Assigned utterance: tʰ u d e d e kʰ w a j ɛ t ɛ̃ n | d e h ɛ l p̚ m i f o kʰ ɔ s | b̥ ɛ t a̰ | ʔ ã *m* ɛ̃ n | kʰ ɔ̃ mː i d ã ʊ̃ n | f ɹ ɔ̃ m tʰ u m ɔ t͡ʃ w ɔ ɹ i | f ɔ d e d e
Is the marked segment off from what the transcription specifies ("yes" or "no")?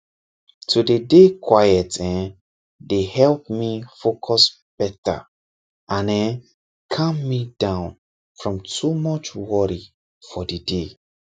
yes